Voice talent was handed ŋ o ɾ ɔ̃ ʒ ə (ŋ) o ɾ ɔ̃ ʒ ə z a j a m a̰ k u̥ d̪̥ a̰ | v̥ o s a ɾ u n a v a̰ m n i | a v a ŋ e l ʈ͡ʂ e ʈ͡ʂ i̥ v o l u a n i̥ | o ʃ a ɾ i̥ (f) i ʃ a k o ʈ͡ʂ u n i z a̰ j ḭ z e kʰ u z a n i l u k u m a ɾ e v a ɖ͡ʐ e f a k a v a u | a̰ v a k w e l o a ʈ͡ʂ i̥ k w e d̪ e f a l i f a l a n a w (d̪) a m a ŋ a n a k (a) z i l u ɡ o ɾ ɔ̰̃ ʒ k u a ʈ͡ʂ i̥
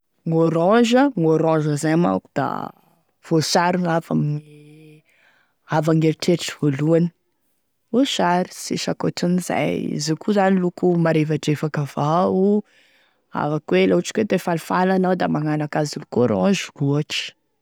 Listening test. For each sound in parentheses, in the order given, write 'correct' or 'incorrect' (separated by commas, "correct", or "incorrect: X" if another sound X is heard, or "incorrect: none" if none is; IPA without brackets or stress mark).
correct, incorrect: s, correct, correct